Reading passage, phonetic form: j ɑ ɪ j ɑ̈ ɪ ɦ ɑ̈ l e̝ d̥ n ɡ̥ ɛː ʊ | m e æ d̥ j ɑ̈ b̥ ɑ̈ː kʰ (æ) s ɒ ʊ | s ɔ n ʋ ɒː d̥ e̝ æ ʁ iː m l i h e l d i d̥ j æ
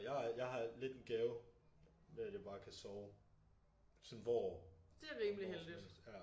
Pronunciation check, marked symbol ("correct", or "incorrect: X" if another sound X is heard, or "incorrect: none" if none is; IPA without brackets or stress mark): correct